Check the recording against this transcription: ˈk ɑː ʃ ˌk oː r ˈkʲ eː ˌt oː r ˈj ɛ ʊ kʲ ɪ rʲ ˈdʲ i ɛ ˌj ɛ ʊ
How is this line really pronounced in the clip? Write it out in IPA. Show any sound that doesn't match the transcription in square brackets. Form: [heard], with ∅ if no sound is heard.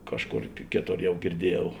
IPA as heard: ˈk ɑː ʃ ˌk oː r ˈkʲ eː ˌt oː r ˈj ɛ ʊ [ɡʲ] ɪ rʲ ˈdʲ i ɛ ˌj ɛ ʊ